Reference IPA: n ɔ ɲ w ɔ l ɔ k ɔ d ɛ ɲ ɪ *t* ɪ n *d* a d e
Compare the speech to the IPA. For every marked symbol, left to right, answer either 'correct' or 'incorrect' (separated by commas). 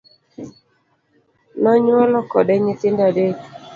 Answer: correct, correct